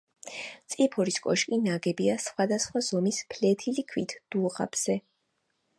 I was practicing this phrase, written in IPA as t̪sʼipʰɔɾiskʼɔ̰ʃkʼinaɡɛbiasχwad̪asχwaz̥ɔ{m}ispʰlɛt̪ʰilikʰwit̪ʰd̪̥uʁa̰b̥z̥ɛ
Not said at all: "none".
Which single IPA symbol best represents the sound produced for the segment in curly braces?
m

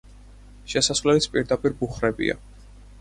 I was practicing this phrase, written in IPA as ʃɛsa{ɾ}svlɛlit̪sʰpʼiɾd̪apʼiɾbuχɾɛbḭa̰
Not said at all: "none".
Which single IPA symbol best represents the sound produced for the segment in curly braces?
none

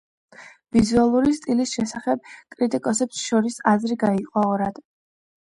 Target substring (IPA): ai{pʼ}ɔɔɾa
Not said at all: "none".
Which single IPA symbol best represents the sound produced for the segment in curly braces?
qʼ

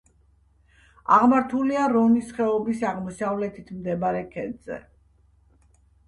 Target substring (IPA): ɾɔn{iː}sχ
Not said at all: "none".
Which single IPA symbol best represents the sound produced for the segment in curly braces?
i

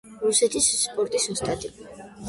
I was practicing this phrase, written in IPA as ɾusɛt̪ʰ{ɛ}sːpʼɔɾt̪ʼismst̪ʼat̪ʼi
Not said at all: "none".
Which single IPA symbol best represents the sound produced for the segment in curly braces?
i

